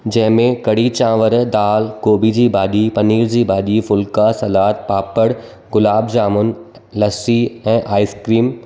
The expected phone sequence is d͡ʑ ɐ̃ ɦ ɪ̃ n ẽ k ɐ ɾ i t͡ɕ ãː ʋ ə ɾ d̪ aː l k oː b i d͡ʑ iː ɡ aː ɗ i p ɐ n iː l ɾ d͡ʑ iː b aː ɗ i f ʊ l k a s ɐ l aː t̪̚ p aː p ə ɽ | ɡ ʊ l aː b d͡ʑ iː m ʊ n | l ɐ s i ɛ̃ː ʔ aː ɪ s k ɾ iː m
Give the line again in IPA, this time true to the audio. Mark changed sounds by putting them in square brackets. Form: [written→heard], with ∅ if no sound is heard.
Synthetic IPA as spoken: d͡ʑ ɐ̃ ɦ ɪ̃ [n→m] ẽ k ɐ [ɾ→ɽ] i t͡ɕ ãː ʋ ə ɾ d̪ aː l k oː b i d͡ʑ iː [ɡ→b] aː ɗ i p ɐ n iː [l→∅] ɾ d͡ʑ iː b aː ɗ i f ʊ l k a s ɐ l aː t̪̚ p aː p ə ɽ | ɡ ʊ l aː b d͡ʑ [iː→aː] m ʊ n | l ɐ s i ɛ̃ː ʔ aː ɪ s k ɾ iː m